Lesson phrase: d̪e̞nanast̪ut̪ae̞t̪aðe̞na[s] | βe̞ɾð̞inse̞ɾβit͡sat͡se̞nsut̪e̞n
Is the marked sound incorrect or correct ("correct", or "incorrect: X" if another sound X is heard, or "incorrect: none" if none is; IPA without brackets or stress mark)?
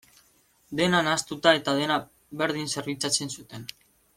incorrect: none